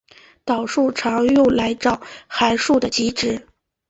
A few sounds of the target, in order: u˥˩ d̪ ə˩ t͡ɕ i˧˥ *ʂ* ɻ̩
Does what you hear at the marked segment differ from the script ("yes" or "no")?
yes